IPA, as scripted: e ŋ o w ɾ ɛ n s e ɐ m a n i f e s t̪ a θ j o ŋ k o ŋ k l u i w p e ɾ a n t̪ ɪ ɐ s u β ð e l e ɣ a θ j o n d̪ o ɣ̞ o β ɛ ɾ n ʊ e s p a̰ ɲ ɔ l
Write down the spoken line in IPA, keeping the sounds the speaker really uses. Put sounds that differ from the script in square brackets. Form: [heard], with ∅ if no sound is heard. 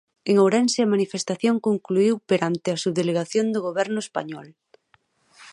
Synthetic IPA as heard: e ŋ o w ɾ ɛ n s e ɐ m a n i f e s t̪ a θ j o ŋ k o ŋ k l u i w p e ɾ a n t̪ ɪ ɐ s u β ð e l e ɣ a θ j o n d̪ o ɣ̞ o β ɛ ɾ n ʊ e s p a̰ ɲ ɔ l